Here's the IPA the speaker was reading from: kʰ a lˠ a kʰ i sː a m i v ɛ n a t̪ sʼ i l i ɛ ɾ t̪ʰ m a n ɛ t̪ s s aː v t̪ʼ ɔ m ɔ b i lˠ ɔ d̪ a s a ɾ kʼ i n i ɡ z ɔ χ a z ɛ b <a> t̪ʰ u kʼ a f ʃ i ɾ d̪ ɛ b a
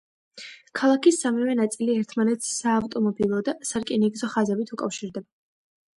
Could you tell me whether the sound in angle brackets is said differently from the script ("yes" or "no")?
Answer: yes